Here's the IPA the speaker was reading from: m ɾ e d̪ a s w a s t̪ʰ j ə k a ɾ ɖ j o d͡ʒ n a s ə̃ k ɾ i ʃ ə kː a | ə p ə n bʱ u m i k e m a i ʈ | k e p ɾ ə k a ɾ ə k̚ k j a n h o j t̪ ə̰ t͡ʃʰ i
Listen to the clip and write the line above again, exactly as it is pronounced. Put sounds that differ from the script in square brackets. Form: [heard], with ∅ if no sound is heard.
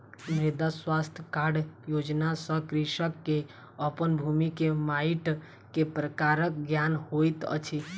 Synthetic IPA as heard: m ɾ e d̪ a s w a s t̪ʰ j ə k a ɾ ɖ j o d͡ʒ n a s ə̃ k ɾ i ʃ ə kː [e] | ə p ə n bʱ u m i k e m a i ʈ | k e p ɾ ə k a ɾ ə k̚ [ɡ] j a n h o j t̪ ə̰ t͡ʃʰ i